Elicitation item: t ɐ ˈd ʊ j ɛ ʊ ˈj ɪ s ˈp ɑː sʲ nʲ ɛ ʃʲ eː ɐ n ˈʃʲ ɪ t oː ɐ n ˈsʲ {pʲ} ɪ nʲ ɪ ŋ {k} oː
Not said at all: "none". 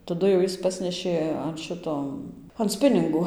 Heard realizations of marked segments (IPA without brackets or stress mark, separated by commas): pʲ, ɡ